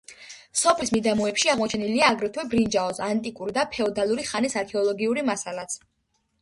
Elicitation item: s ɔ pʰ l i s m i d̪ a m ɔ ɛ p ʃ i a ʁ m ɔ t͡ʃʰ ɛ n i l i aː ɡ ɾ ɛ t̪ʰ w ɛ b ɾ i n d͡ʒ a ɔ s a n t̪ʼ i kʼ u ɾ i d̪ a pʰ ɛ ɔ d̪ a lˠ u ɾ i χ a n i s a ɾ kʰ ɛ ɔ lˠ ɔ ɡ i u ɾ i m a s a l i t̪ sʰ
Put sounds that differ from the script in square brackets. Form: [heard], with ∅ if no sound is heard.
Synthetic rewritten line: s ɔ pʰ l i s m i d̪ a m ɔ ɛ p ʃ i a ʁ m ɔ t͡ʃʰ ɛ n i l i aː ɡ ɾ ɛ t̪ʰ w ɛ b ɾ i n d͡ʒ a ɔ s a n t̪ʼ i kʼ u ɾ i d̪ a pʰ ɛ ɔ d̪ a lˠ u ɾ i χ a n i s a ɾ kʰ ɛ ɔ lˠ ɔ ɡ i u ɾ i m a s a l [a] t̪ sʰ